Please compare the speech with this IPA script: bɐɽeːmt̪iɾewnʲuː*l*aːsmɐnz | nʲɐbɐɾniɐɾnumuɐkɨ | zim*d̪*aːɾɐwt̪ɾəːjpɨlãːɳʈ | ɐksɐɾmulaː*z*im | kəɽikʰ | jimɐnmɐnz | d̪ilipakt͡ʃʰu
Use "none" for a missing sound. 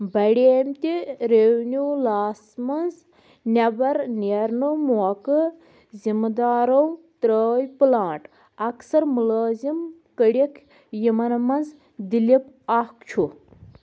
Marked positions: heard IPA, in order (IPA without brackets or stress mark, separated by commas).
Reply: l, d̪, z